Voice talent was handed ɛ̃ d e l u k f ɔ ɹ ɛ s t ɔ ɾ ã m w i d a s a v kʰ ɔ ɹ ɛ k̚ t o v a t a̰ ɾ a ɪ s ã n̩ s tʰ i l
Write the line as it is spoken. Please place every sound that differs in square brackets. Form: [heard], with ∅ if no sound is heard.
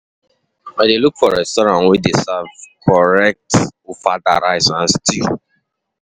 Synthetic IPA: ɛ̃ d e l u k f ɔ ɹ ɛ s t ɔ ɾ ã [n] w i d [e] s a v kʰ ɔ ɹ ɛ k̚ t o [f] a [d] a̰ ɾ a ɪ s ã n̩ s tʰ i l